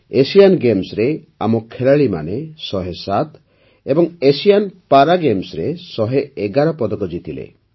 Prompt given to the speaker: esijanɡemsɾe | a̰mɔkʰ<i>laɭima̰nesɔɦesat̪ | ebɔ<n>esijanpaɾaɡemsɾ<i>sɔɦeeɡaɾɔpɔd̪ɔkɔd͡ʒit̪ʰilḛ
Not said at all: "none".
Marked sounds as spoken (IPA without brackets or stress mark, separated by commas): e, ŋ, e